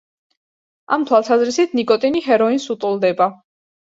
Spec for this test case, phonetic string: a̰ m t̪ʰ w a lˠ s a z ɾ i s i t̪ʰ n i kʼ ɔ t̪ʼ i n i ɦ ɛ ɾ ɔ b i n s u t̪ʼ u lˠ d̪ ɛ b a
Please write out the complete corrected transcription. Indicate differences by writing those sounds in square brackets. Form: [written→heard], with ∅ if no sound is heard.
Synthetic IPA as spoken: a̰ m t̪ʰ w a lˠ s a z ɾ i s i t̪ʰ n i kʼ ɔ t̪ʼ i n i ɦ ɛ ɾ ɔ [b→∅] i n s u t̪ʼ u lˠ d̪ ɛ b a